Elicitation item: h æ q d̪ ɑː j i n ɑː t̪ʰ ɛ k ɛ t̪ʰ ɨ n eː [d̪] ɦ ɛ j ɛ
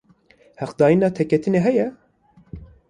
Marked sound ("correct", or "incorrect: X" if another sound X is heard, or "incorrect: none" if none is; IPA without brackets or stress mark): incorrect: none